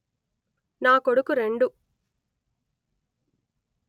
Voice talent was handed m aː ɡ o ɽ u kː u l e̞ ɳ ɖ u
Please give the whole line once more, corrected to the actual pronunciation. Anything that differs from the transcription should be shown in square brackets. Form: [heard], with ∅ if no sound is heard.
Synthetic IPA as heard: [n] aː [k] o ɽ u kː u [ɾ] e̞ ɳ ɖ u